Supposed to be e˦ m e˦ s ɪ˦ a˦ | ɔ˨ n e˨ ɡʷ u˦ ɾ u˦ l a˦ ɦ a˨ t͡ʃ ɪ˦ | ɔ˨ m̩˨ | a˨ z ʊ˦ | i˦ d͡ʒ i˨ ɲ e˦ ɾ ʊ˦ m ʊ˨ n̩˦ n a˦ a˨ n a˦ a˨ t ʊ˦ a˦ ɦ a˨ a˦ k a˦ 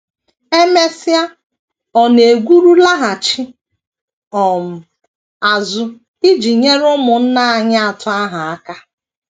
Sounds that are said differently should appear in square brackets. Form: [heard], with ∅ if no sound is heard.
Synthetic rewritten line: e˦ m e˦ s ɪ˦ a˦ | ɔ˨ n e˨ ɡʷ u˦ ɾ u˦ l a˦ ɦ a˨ t͡ʃ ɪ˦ | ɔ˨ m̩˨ | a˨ z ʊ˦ | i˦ d͡ʒ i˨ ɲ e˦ ɾ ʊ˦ m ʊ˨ n̩˦ n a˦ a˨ [ɲ] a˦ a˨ t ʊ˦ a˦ ɦ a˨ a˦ k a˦